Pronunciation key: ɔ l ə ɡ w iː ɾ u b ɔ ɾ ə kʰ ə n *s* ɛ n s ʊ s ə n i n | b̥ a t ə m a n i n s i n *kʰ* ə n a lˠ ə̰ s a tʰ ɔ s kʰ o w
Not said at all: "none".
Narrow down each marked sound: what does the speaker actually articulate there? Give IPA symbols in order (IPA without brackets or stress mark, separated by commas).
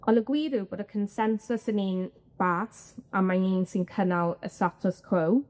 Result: s, kʰ